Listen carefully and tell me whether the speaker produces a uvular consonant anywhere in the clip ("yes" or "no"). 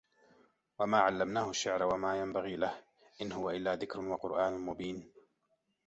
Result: yes